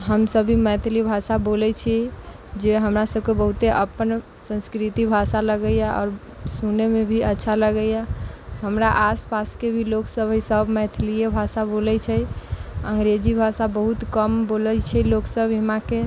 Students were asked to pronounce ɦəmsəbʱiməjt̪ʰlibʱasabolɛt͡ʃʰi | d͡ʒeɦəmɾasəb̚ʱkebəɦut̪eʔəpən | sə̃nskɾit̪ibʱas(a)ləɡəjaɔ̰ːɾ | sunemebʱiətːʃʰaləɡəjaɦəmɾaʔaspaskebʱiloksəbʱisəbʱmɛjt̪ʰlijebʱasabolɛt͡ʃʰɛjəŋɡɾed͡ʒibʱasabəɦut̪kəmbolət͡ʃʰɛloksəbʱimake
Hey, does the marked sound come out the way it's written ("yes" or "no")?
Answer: yes